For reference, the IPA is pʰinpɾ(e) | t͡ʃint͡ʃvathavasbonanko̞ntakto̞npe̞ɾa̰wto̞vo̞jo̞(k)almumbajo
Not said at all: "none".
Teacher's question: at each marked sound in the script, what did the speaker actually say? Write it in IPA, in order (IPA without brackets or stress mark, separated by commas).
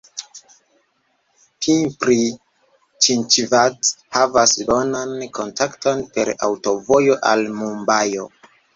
i, ʔ